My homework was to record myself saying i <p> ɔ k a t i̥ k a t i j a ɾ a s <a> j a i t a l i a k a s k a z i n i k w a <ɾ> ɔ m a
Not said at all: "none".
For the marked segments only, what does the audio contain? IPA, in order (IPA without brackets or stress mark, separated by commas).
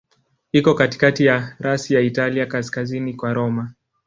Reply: k, i, ɾ